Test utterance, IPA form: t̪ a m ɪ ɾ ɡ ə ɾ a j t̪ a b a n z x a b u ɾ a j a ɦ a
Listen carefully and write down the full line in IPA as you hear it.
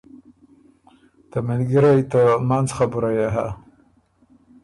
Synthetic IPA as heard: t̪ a m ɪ l ɡ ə ɾ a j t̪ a m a n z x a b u ɾ a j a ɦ a